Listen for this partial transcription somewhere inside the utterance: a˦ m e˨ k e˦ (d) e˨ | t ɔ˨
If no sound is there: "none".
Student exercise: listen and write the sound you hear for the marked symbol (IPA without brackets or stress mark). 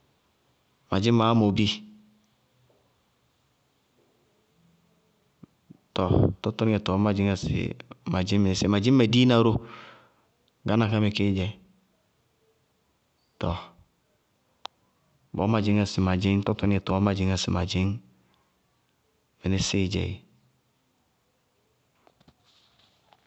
d͡ʒ